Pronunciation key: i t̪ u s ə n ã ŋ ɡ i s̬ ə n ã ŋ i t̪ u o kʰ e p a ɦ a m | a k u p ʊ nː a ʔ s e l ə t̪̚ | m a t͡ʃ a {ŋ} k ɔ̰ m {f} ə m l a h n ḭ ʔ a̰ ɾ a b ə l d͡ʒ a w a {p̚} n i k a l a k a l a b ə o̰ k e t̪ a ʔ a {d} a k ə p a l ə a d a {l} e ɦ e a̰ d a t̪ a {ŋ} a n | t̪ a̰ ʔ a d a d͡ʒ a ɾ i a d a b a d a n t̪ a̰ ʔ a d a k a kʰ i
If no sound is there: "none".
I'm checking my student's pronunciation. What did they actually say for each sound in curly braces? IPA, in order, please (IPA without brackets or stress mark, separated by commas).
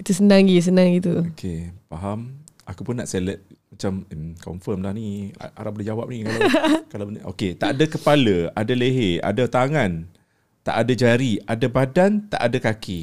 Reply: m, f, p̚, d, l, ŋ